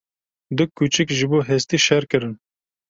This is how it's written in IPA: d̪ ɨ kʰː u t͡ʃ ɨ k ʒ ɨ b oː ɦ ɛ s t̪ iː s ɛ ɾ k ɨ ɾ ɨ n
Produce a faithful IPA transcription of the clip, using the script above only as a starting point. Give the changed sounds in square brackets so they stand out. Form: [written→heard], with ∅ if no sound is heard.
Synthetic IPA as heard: d̪ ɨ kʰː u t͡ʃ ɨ k ʒ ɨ b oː ɦ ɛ s t̪ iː [s→ʃ] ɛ ɾ k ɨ ɾ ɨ n